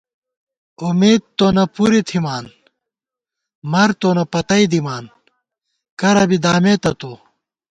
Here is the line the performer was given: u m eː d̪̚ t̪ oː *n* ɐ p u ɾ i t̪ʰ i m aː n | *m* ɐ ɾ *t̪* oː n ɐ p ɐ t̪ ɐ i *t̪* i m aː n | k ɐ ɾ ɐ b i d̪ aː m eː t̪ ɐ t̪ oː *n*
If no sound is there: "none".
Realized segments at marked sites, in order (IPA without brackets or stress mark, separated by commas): n, m, t̪, d̪, none